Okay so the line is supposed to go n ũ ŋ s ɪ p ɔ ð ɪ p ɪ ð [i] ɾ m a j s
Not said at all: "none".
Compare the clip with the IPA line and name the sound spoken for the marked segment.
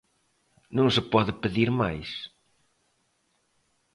i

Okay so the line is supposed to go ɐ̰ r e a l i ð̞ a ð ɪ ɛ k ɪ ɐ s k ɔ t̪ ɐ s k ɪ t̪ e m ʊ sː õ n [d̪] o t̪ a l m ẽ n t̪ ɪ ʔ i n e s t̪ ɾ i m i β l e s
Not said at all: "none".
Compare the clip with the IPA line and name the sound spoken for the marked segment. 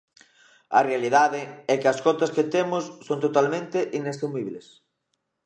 t̪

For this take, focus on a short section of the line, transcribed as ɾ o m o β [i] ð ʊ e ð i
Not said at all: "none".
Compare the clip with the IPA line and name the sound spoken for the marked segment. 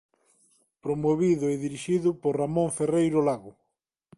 i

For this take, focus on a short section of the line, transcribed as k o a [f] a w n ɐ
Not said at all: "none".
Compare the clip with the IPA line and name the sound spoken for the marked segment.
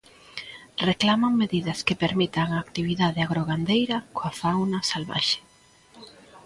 f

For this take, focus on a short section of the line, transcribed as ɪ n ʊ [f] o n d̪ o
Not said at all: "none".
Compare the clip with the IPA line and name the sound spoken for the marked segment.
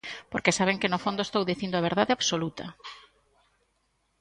f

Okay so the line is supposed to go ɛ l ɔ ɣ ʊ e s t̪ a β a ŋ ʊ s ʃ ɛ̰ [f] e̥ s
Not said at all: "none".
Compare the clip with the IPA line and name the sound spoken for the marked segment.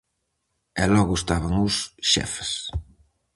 f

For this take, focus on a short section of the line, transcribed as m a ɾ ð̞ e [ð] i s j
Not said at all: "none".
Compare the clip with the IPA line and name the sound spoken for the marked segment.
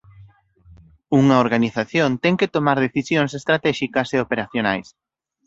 θ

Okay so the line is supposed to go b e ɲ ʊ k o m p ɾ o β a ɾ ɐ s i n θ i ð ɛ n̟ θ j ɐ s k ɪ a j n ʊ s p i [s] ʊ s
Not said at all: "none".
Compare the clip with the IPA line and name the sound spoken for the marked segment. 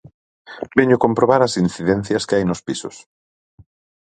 s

